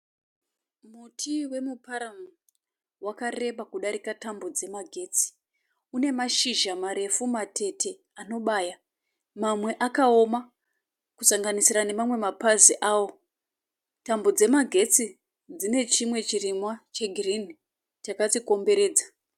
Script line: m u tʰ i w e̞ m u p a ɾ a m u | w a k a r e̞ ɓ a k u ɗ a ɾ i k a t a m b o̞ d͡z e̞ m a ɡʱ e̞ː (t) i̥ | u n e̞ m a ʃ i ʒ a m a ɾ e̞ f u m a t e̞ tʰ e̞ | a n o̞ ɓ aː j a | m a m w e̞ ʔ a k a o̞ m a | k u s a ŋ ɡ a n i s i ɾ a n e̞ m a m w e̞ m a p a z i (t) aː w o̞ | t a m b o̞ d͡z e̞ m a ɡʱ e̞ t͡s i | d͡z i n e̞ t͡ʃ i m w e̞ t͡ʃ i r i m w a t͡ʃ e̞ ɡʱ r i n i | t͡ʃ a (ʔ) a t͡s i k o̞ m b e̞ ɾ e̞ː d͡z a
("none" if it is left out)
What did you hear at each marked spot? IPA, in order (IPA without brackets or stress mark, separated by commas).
t͡s, ʔ, k